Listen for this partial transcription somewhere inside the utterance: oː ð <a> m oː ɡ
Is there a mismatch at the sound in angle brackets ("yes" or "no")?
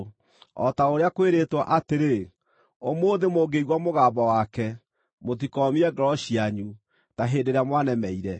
yes